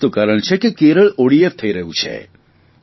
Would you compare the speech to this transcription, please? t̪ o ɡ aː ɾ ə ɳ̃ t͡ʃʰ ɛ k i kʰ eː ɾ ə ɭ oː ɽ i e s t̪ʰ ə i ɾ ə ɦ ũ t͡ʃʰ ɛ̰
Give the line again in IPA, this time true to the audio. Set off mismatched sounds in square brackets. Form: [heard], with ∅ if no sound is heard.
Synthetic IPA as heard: t̪ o [k] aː ɾ ə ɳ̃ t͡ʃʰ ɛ k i [k] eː ɾ ə ɭ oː ɽ i e [f] t̪ʰ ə i ɾ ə ɦ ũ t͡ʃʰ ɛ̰